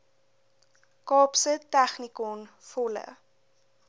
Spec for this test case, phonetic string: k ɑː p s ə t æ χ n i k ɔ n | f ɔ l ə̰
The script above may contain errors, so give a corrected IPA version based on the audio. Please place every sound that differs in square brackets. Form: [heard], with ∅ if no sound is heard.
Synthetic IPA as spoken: k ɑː p s ə t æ χ n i k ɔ n | f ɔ l ə̰